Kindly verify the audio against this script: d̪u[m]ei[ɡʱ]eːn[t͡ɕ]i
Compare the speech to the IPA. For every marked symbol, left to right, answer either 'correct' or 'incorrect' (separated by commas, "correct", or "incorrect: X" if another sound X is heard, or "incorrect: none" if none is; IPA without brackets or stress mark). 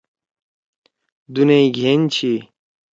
incorrect: n, correct, incorrect: t͡ɕʰ